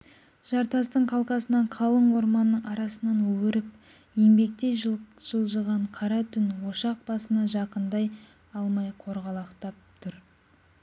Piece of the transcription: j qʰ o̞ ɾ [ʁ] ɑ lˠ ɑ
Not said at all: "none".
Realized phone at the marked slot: ʁ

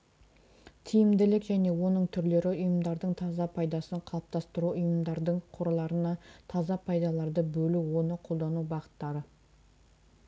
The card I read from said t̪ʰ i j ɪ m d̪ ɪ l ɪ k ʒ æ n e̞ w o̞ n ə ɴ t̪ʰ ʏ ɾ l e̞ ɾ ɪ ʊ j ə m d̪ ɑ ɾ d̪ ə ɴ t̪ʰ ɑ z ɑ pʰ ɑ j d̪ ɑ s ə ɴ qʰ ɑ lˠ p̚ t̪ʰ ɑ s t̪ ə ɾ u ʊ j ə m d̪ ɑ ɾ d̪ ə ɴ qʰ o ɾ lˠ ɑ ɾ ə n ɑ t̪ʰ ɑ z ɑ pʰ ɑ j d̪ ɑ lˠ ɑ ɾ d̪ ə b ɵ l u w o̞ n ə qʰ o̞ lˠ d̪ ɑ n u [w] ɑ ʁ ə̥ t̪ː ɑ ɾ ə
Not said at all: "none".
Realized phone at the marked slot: b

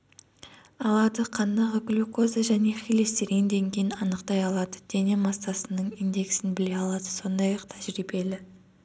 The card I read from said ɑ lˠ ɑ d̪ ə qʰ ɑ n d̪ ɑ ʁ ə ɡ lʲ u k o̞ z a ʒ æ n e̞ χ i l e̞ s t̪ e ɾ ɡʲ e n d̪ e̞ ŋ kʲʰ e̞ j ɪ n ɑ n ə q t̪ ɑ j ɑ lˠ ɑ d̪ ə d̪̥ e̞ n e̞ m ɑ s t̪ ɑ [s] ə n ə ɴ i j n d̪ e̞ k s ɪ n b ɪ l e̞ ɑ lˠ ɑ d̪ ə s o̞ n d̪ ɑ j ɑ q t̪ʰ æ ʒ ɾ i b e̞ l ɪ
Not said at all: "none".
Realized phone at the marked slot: s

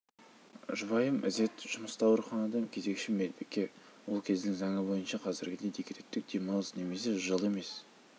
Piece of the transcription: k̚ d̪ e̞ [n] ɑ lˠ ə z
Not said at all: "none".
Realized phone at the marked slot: m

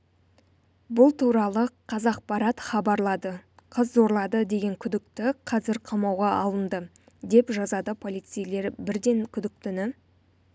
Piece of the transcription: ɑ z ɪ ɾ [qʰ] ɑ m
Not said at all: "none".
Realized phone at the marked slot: qʰ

